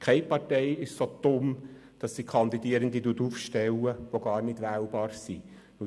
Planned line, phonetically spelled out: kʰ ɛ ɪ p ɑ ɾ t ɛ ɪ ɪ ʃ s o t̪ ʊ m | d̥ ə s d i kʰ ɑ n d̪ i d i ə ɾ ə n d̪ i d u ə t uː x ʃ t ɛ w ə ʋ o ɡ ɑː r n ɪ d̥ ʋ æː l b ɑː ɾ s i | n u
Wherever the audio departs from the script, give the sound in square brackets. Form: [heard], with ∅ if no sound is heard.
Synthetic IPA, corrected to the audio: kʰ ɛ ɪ p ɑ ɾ t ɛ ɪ ɪ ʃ s o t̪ ʊ m | d̥ [ɑ] s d i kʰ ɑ n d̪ i d i ə ɾ ə n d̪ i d u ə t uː [f] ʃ t ɛ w ə ʋ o ɡ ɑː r n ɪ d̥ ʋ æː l b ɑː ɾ s i | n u

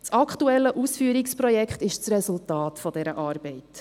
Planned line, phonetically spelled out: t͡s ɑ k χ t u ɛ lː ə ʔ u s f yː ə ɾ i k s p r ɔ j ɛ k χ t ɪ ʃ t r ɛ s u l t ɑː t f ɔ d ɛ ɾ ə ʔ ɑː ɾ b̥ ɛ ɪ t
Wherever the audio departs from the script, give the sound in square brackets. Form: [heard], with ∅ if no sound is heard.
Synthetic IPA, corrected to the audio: t͡s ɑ k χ t u ɛ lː ə ʔ u s f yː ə ɾ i k s p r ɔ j ɛ k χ t ɪ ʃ [t͡s] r ɛ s u l t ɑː t f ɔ d ɛ ɾ ə ʔ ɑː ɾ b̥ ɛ ɪ t

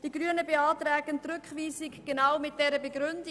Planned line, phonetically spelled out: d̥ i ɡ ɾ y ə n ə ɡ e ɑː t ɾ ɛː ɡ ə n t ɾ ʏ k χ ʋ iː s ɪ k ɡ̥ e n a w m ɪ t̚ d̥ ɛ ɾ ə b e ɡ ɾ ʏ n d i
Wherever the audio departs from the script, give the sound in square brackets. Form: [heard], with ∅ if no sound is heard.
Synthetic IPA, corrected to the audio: d̥ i ɡ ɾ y ə n ə [b] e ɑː t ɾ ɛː ɡ ə n t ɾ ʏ k χ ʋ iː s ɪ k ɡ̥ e n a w m ɪ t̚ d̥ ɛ ɾ ə b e ɡ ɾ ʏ n d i

